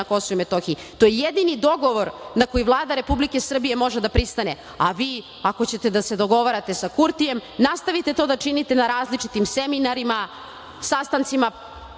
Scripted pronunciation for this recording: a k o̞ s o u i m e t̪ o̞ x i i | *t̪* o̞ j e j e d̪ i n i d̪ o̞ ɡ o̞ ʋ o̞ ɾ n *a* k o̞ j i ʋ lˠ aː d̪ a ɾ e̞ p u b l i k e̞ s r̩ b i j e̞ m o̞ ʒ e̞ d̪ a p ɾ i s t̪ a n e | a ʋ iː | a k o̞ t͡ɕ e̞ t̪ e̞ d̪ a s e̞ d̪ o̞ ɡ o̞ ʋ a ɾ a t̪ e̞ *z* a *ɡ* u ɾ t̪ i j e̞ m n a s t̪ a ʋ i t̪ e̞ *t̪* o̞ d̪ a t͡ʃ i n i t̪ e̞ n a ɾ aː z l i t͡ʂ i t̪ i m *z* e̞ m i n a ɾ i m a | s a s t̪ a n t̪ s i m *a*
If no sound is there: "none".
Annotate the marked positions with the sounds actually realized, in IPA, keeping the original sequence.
t̪, a, s, k, t̪, s, a

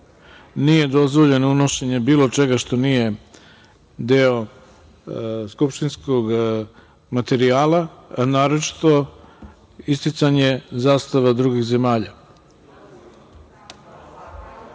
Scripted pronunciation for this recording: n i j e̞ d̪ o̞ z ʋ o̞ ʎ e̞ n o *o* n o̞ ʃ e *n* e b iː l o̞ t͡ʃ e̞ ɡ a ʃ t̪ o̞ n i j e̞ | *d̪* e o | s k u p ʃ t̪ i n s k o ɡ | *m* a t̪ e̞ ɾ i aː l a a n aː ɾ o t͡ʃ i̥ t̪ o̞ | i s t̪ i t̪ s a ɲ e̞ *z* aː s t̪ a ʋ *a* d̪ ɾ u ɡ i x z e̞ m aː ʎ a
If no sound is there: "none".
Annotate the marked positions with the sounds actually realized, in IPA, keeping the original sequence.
u, ɲ, d̪, m, z, a

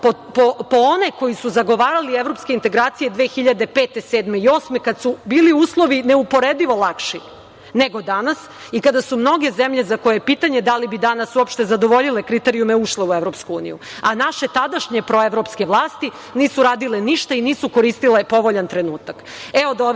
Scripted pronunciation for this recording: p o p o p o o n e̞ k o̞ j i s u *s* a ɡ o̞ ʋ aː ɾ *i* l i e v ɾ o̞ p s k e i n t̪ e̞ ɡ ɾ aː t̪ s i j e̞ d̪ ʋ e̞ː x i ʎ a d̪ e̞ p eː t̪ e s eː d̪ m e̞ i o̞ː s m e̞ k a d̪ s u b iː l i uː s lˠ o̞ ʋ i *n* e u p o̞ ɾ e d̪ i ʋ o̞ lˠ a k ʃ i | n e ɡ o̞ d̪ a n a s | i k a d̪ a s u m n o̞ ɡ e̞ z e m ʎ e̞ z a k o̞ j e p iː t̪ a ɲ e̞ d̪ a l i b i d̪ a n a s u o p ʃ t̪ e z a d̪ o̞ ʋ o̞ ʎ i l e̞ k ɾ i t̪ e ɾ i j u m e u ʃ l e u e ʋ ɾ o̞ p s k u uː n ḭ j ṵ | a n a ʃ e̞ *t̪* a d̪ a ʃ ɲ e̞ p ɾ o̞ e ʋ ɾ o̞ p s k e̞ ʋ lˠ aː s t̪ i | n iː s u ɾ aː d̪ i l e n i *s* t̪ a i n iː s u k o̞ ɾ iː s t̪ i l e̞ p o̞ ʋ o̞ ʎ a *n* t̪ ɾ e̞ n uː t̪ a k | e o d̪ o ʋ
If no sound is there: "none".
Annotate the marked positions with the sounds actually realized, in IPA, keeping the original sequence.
z, a, n, t̪, ʃ, n

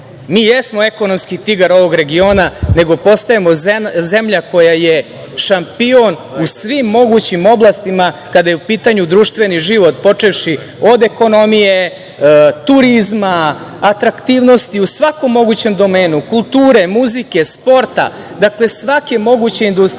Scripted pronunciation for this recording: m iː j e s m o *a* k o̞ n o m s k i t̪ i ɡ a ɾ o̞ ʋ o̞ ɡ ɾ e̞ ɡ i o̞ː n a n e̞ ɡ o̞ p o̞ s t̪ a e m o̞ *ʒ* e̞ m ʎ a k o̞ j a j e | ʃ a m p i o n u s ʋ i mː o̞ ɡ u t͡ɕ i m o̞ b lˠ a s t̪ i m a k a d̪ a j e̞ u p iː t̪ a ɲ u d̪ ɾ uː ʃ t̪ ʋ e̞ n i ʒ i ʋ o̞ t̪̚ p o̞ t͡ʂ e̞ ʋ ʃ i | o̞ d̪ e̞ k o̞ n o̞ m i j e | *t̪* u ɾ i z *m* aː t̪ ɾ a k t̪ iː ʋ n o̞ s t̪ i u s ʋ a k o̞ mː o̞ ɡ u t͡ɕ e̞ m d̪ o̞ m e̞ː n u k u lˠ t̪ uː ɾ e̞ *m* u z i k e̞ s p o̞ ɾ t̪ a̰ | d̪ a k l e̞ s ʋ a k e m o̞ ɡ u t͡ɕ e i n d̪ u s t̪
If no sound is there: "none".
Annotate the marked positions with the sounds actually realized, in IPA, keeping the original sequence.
e, z, t̪, m, m

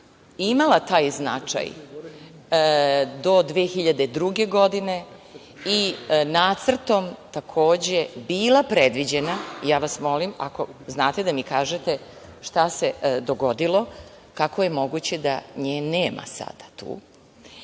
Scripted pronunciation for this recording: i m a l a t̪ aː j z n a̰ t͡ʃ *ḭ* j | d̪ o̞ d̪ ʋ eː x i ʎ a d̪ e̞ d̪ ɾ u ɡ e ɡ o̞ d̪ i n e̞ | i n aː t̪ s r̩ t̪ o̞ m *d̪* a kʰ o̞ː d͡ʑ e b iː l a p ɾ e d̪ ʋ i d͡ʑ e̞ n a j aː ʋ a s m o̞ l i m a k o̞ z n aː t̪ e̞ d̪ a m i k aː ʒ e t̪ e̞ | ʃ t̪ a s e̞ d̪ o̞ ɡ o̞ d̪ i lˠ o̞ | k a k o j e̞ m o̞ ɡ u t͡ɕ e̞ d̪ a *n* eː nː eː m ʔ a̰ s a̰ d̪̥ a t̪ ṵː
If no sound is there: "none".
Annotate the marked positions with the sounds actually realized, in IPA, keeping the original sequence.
a̰, t̪, ɲ

